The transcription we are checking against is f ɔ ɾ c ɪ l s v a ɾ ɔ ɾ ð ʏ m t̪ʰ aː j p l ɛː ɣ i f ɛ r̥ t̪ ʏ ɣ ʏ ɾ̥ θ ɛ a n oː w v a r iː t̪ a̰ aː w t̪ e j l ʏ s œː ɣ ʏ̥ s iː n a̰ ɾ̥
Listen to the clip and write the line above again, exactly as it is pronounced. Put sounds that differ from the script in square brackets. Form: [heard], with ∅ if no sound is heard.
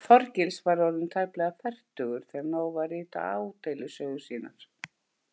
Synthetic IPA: f ɔ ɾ c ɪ l s v a ɾ ɔ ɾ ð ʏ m t̪ʰ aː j p l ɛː ɣ [a] f ɛ r̥ t̪ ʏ ɣ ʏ ɾ̥ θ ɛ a n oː w v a r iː t̪ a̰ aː w t̪ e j l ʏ s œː ɣ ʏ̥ s iː n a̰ ɾ̥

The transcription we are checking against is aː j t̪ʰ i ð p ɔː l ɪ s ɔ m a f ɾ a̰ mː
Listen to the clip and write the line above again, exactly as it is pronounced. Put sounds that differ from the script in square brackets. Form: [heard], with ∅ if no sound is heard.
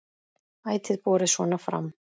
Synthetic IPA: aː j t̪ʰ [ɪ] ð p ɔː [ɾ] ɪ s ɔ [n] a f ɾ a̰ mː

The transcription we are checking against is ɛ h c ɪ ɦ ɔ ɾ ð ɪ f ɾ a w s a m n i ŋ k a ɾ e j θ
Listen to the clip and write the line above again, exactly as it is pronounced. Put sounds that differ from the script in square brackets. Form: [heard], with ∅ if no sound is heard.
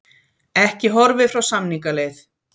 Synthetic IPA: ɛ h c ɪ ɦ ɔ ɾ [v] ɪ f ɾ a w s a m n i ŋ k a [l] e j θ

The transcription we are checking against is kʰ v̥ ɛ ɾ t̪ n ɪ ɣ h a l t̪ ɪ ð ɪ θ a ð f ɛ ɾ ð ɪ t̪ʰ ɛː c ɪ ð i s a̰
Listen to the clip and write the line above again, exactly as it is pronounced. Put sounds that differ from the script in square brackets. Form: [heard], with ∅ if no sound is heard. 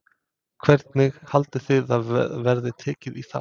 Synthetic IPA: kʰ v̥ ɛ ɾ t̪ n ɪ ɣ h a l t̪ ɪ [θ] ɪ [ð] a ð [v] ɛ ɾ ð ɪ t̪ʰ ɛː c ɪ ð i [θ] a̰

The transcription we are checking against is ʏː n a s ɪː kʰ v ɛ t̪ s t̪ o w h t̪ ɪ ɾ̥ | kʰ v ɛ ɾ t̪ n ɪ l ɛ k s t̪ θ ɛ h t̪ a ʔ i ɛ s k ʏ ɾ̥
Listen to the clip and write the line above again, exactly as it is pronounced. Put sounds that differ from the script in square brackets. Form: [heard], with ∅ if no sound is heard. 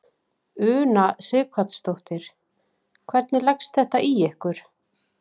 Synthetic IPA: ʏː n a s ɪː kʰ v [a] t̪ s t̪ o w h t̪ ɪ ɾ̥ | kʰ v ɛ ɾ t̪ n ɪ l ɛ k s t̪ θ ɛ h t̪ a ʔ i ɛ [h] k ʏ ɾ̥

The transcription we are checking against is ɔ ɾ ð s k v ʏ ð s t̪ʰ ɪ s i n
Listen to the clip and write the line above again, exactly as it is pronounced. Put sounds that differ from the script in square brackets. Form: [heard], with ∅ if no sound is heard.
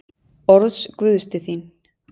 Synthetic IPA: ɔ ɾ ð s k v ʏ ð s [t̪] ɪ [θ] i n

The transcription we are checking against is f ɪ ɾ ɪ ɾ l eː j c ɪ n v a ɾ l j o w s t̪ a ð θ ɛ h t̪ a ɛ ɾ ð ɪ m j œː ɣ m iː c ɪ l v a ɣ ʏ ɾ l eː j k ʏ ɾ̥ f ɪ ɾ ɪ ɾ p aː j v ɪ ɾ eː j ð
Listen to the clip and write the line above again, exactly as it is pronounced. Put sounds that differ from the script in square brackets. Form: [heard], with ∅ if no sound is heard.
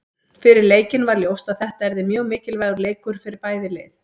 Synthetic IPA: f ɪ ɾ ɪ ɾ l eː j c ɪ n v a ɾ l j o w s t̪ a ð θ ɛ h t̪ a ɛ ɾ ð ɪ m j œː ɣ m [ɪː] c ɪ l v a ɣ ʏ ɾ l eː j k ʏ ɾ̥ f ɪ ɾ ɪ ɾ p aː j [ð] ɪ [l] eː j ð

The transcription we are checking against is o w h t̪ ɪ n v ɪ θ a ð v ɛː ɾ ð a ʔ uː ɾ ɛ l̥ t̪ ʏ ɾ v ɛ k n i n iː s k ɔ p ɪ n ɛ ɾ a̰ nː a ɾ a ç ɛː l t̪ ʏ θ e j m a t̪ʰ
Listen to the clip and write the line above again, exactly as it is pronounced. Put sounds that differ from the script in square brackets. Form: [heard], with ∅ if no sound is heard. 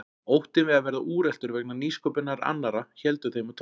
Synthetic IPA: o w h t̪ ɪ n v ɪ [ð] a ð v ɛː ɾ ð a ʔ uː ɾ ɛ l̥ t̪ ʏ ɾ v ɛ k n [a] n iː s k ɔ p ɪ n [a] ɾ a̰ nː a ɾ a ç [ɛ] l t̪ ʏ θ e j m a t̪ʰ

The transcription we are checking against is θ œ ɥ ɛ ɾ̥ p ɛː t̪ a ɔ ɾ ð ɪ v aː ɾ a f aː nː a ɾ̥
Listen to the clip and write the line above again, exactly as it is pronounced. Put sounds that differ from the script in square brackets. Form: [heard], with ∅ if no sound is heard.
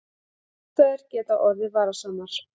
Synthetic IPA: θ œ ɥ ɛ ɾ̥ [c] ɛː t̪ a ɔ ɾ ð ɪ v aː ɾ a [s] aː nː a ɾ̥

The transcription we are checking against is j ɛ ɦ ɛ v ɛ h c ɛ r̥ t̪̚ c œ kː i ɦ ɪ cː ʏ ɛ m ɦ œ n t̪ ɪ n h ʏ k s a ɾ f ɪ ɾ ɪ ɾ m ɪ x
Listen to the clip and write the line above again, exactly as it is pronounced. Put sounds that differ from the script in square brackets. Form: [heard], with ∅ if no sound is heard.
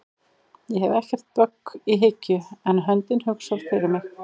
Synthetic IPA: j ɛ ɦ ɛ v ɛ h c ɛ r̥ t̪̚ [p] œ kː i ɦ ɪ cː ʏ ɛ [n] ɦ œ n t̪ ɪ n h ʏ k s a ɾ f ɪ ɾ ɪ ɾ m ɪ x

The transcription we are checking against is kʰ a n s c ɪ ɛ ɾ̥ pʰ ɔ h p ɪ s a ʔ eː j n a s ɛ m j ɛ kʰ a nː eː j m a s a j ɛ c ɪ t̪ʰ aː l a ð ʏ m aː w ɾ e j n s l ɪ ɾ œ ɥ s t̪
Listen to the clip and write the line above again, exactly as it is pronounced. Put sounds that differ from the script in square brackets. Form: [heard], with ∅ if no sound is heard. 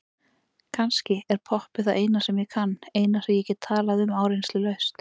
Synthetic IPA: kʰ a n s c ɪ ɛ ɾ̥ pʰ ɔ h p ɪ [θ] a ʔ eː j n a s ɛ m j ɛ kʰ a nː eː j [n] a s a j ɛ c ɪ t̪ʰ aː l a ð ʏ m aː w ɾ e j n s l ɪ [l] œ ɥ s t̪

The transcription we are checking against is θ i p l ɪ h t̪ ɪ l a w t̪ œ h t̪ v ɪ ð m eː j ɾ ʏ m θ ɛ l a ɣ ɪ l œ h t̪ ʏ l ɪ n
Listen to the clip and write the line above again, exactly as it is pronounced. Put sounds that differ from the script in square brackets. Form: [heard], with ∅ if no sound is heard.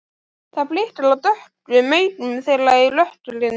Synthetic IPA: θ [a] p l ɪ h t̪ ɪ l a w t̪ œ h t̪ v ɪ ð m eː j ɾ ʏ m θ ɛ l a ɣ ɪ l œ h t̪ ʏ l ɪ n

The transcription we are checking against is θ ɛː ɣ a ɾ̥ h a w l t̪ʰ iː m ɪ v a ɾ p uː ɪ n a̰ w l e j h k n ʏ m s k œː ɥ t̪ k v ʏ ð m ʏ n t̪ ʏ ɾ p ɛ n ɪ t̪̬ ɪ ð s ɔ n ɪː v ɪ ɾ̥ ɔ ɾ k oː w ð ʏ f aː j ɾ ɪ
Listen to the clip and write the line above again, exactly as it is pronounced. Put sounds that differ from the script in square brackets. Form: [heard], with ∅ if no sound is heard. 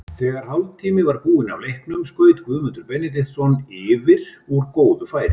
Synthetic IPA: θ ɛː ɣ a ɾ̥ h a w l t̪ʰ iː m ɪ v a ɾ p uː ɪ n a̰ w l e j h k n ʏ m s k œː ɥ t̪ k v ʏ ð m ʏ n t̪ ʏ ɾ p ɛ n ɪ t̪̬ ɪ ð s ɔ n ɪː v ɪ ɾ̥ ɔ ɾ k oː w ð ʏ f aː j ɾ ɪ

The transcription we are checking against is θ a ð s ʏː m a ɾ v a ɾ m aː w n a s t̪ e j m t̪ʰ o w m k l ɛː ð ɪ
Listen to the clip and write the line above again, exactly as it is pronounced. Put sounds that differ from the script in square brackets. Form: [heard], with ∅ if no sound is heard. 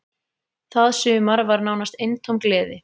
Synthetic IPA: θ a ð s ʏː m a ɾ v a ɾ [n] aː w n a s t̪ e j [n] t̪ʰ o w m k l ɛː ð ɪ

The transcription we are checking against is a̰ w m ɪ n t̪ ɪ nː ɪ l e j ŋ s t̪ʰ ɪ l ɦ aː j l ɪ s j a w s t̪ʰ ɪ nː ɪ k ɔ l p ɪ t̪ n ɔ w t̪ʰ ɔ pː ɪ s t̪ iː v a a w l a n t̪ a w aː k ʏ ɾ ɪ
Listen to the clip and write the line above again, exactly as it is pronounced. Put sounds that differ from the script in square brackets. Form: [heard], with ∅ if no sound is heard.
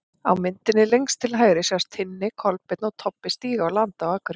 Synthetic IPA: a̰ w m ɪ n t̪ ɪ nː ɪ l e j ŋ s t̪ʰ ɪ l ɦ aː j [ɾ] ɪ s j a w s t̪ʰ ɪ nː ɪ [kʰ] ɔ l p ɪ t̪ n ɔ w t̪ʰ ɔ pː ɪ s t̪ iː [ɣ] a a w l a n t̪ a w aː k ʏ ɾ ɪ

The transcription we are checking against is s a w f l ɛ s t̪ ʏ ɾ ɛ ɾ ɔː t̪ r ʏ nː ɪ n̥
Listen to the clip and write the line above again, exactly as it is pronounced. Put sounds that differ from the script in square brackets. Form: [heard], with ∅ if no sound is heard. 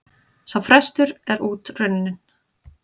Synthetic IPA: s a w f [ɾ] ɛ s t̪ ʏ ɾ ɛ ɾ [uː] t̪ r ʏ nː ɪ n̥

